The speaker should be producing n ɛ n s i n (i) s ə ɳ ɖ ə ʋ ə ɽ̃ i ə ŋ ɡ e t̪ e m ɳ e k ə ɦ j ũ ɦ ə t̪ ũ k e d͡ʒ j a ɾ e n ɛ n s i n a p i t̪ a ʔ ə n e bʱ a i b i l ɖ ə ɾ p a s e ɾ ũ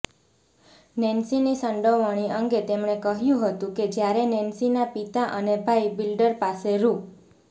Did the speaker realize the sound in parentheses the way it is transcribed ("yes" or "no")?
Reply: yes